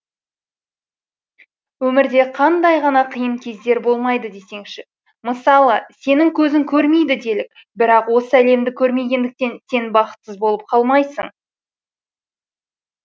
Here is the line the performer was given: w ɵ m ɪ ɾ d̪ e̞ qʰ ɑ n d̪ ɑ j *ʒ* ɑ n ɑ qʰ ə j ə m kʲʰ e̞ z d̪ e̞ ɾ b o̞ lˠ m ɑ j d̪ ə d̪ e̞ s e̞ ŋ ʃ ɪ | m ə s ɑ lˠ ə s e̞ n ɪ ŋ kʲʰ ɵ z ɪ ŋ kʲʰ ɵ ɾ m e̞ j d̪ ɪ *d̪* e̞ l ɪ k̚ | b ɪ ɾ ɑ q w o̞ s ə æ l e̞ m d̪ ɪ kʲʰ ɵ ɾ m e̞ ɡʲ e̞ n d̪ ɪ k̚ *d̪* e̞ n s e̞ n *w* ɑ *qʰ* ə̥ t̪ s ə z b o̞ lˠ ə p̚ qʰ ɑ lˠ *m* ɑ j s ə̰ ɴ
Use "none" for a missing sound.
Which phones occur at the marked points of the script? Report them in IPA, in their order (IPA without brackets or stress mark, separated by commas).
ʁ, d̪, t̪, b, q, m